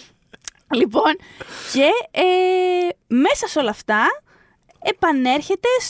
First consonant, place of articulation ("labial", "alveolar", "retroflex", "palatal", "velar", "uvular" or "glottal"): alveolar